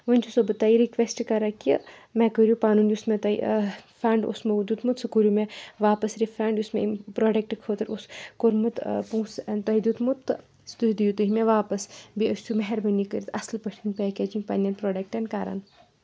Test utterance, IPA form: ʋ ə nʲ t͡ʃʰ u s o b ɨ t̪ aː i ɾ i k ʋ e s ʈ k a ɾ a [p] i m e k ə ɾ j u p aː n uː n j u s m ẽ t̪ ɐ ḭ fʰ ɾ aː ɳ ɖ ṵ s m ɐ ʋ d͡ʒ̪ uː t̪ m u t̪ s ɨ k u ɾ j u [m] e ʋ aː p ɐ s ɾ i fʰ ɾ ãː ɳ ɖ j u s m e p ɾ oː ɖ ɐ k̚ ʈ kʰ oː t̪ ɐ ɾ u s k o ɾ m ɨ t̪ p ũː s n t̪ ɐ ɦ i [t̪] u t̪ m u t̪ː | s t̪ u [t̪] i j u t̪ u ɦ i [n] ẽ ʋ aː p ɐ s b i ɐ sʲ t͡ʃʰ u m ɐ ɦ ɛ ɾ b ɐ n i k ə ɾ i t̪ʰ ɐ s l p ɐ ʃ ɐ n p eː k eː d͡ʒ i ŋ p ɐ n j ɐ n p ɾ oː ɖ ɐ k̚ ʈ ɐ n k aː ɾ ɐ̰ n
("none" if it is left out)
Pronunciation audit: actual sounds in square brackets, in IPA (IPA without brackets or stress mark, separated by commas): k, m, d̪, d̪, m